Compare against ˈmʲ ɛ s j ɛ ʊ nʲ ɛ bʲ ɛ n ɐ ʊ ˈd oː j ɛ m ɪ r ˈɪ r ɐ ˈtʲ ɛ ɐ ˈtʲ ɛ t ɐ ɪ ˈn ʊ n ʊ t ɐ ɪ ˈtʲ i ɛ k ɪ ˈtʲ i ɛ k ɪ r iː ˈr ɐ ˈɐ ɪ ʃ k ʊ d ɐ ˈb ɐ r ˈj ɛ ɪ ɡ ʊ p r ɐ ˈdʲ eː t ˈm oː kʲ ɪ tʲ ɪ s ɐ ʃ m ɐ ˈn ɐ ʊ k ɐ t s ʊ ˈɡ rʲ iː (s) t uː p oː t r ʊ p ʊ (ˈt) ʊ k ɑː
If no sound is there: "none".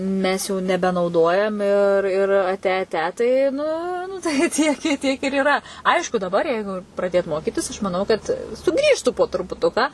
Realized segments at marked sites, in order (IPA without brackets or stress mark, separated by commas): ʃ, t